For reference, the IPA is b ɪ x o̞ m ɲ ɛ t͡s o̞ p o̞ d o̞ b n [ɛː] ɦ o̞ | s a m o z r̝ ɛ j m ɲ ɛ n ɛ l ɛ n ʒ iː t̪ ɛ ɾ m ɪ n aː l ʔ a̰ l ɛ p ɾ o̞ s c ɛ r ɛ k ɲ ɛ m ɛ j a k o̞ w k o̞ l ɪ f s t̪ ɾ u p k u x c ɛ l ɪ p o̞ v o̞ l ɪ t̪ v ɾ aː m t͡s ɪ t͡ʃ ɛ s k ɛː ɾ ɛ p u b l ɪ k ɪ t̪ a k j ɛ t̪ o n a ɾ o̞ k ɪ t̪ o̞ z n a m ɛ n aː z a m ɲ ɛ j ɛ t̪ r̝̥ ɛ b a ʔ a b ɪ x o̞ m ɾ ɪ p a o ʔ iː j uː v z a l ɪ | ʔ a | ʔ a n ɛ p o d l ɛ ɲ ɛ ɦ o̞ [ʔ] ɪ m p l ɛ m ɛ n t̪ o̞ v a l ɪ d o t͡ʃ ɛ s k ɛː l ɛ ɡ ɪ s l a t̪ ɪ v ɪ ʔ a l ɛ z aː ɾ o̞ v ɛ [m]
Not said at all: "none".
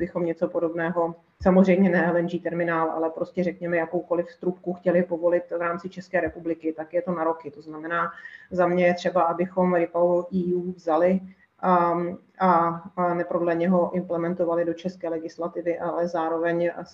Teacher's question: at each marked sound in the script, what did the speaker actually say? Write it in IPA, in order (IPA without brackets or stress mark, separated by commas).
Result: ɛː, ʔ, ɲ